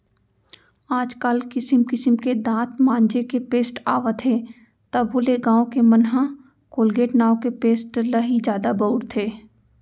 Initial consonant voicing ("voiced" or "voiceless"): voiced